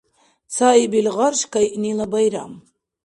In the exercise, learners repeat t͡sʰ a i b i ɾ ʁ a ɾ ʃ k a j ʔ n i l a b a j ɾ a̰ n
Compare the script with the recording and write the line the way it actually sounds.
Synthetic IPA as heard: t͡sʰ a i b i l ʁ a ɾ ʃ k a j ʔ n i l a b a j ɾ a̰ m